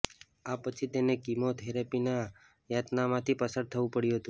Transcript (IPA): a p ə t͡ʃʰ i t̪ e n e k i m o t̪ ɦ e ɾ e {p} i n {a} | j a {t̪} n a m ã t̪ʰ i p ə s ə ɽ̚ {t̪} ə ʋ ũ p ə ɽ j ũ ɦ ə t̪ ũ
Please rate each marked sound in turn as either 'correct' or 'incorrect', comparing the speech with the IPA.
correct, correct, correct, incorrect: t̪ʰ

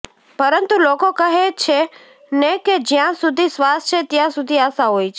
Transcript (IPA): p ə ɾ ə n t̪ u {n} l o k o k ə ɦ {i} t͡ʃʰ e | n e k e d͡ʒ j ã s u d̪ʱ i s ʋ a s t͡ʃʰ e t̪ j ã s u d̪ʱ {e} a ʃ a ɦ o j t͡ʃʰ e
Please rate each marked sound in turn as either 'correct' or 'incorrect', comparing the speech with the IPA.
incorrect: none, incorrect: e, incorrect: i

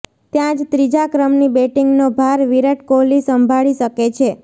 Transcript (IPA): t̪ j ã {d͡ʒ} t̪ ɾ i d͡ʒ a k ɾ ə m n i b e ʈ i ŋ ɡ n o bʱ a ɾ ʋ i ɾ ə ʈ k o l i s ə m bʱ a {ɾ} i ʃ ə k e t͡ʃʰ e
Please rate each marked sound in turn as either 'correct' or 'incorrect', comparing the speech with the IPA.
correct, incorrect: ɭ

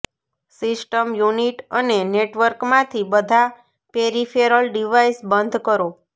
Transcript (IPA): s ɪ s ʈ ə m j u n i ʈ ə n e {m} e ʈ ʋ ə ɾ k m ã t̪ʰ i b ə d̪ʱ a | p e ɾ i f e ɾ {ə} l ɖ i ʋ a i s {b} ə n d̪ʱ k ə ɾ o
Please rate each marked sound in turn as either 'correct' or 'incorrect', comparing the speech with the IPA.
incorrect: n, correct, correct

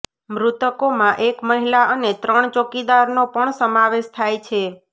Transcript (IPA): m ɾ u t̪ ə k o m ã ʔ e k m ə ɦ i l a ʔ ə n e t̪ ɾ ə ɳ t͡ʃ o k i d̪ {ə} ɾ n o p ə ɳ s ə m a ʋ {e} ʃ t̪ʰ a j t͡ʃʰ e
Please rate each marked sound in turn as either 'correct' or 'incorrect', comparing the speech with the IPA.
incorrect: a, correct

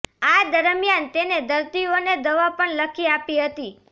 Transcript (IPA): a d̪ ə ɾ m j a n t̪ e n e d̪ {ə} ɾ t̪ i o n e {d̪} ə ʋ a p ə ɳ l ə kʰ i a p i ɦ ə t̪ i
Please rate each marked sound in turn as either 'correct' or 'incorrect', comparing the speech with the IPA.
correct, correct

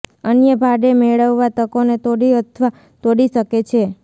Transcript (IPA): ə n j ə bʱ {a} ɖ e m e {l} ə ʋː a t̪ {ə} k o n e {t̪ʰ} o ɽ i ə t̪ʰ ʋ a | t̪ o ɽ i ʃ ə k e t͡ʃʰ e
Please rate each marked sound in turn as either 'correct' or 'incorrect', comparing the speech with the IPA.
correct, incorrect: ɭ, correct, incorrect: t̪

